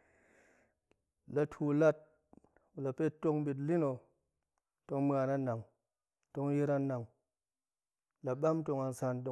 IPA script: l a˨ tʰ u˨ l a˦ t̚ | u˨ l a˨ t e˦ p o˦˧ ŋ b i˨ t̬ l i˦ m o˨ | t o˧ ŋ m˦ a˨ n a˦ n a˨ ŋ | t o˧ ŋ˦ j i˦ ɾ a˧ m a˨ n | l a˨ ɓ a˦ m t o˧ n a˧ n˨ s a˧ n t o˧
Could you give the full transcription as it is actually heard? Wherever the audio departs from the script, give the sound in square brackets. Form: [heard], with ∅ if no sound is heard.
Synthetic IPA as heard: l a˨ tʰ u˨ l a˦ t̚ | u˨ l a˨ [p] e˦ [t] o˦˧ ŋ b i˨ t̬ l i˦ [n] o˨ | t o˧ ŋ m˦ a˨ n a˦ n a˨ ŋ | t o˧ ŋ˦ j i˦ ɾ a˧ [n] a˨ [ŋ] | l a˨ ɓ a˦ m t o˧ [ŋ] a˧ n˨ s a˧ n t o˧